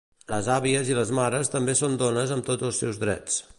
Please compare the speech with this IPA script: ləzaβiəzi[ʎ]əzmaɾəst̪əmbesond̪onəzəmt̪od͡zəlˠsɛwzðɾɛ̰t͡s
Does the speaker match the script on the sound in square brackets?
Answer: no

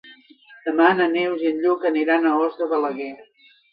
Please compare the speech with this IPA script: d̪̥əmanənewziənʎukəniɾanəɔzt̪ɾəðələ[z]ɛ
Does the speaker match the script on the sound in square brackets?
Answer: no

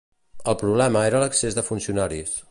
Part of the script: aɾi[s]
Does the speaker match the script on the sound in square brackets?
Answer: yes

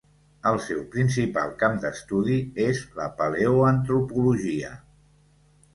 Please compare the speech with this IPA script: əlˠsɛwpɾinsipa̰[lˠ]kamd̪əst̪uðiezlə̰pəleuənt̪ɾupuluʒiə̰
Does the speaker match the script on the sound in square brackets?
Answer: yes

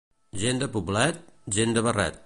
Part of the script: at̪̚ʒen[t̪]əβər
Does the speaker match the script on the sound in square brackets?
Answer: no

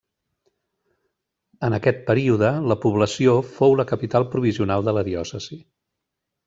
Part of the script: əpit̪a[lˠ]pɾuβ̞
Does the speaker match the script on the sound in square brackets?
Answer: yes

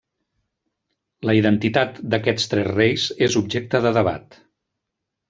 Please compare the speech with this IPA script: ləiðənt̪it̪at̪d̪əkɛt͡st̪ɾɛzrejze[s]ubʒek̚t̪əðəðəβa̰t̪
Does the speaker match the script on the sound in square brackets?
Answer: no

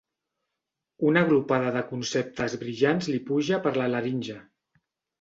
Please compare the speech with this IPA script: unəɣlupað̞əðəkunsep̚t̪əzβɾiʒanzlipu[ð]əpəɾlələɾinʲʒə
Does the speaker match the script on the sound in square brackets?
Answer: no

